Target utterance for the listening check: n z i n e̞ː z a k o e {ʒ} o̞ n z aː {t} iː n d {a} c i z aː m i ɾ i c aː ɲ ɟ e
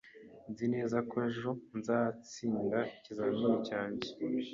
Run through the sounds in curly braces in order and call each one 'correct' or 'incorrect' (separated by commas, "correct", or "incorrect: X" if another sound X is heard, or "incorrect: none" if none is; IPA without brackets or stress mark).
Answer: correct, incorrect: t͡s, correct